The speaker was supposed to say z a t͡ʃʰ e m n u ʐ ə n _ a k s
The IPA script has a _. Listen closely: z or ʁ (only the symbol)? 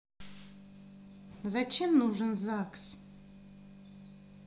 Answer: z